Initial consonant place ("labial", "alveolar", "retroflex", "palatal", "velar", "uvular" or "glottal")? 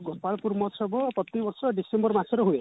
velar